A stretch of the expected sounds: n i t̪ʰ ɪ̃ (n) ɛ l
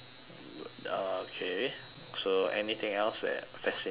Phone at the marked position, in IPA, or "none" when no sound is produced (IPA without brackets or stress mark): ŋ